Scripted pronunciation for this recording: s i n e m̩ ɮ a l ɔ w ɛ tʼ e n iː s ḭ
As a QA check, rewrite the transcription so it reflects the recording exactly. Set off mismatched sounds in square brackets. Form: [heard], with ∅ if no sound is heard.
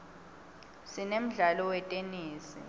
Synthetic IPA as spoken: s i n e m̩ ɮ a l ɔ w ɛ tʼ e n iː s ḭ